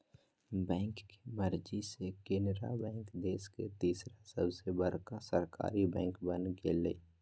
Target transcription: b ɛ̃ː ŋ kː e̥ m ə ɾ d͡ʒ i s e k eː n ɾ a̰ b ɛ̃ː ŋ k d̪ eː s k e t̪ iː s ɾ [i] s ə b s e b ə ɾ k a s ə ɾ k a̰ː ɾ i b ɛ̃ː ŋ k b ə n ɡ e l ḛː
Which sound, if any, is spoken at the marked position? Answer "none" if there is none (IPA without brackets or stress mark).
a